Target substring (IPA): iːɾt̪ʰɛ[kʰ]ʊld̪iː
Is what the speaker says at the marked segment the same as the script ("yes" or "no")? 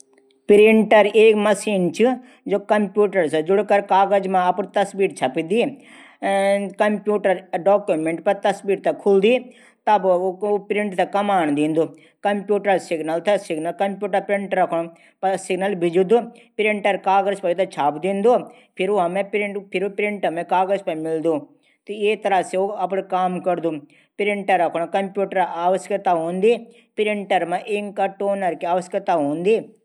yes